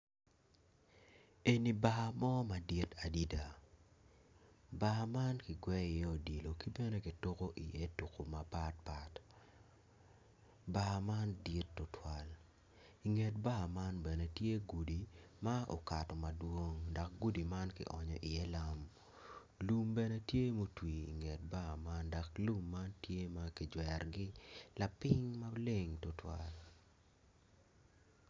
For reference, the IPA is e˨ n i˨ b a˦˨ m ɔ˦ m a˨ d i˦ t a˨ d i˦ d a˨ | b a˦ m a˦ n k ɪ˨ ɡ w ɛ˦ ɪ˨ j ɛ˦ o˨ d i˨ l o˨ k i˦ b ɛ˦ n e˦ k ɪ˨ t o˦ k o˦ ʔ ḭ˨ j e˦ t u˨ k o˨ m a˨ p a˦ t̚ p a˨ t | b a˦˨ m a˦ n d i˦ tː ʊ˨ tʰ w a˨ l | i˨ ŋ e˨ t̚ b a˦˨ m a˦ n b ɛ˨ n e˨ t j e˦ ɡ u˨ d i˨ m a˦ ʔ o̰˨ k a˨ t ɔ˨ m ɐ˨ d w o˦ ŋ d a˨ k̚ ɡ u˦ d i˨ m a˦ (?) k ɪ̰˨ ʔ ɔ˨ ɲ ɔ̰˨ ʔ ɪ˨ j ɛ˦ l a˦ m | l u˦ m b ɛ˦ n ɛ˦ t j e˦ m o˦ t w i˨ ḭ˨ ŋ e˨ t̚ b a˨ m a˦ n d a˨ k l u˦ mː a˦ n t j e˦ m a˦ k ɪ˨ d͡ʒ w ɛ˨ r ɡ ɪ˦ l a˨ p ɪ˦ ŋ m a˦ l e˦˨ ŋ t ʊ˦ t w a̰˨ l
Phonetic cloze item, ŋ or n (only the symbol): n